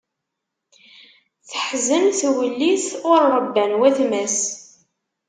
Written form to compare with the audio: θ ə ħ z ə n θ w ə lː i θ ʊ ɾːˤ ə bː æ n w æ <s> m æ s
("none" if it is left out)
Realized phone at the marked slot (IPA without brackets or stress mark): θ